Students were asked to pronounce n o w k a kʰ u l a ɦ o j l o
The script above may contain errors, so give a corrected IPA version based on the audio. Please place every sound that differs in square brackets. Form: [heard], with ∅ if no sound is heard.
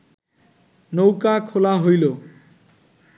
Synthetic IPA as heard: n o w k a kʰ [o] l a ɦ o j l o

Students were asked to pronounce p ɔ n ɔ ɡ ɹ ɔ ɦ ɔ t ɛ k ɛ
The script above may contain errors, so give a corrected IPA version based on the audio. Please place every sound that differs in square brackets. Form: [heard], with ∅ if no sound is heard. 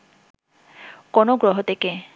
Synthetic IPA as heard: [k] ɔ n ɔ ɡ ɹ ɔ ɦ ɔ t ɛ k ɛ

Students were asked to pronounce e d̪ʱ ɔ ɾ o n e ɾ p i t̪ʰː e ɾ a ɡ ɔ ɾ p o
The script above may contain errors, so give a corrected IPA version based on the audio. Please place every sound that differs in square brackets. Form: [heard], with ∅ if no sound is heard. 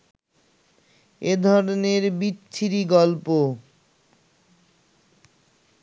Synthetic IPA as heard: e d̪ʱ ɔ ɾ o n e ɾ [b] i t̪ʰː [i] ɾ [i] ɡ ɔ [l] p o

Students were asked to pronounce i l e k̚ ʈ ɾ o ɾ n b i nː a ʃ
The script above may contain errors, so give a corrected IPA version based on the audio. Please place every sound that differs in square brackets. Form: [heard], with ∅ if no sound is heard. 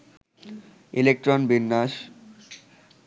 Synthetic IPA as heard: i l e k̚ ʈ ɾ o [∅] n b i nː a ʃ

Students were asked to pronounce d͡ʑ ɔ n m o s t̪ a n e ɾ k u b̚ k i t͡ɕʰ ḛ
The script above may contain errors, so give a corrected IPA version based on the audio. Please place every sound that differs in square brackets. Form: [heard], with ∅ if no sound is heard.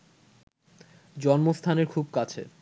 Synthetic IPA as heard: d͡ʑ ɔ n m o s [t̪ʰ] a n e ɾ [kʰ] u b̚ k [a] t͡ɕʰ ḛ

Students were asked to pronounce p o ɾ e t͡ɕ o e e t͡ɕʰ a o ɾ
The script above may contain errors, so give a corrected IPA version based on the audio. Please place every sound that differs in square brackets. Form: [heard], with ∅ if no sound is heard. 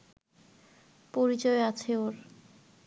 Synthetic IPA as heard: p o ɾ [i] t͡ɕ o e [a] t͡ɕʰ [e] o ɾ

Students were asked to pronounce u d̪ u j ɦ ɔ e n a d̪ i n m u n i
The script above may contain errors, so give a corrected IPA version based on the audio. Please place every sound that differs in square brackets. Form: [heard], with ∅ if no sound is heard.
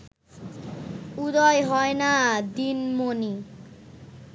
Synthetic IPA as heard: u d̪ [ɔ] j ɦ ɔ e n a d̪ i n m [o] n i

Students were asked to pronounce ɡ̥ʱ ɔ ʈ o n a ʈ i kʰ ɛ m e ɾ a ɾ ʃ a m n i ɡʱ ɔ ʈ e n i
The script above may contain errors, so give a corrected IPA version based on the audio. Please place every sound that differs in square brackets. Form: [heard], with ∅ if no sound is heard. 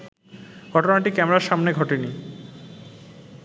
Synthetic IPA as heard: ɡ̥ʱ ɔ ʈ o n a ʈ i [k] ɛ m e ɾ a ɾ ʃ a m n [e] ɡʱ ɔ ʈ e n i

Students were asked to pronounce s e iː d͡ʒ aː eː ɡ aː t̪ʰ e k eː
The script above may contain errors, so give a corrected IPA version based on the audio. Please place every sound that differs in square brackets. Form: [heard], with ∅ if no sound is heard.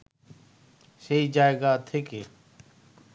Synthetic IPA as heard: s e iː d͡ʒ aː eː ɡ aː t̪ʰ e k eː

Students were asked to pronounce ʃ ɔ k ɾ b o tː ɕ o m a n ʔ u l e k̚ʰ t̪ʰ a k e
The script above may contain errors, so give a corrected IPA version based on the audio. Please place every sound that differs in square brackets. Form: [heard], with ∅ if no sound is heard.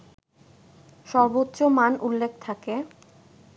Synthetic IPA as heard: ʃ ɔ [∅] ɾ b o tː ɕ o m a n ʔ u [lː] e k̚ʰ t̪ʰ a k e

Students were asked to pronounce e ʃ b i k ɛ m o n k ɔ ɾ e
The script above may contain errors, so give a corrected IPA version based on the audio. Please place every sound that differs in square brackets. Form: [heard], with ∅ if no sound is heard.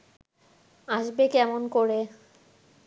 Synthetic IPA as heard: [a] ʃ b [e] k ɛ m o n k [o] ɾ e

